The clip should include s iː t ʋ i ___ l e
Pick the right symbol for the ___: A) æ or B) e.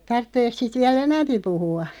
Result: A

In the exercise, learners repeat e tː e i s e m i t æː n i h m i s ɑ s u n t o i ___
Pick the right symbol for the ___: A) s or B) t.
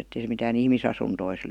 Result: A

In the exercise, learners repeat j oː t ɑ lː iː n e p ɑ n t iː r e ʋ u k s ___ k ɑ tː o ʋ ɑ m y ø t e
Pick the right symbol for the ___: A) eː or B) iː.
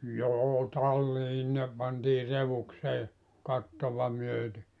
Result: A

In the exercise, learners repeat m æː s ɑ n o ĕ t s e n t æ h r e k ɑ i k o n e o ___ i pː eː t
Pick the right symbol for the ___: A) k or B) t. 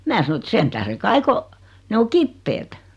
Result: A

